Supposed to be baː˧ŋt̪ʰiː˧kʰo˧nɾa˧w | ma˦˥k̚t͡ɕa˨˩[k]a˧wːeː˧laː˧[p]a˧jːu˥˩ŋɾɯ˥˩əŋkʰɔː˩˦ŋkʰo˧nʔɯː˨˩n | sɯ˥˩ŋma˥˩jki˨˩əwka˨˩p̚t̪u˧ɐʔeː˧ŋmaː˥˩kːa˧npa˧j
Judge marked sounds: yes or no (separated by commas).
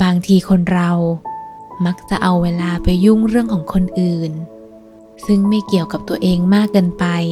no, yes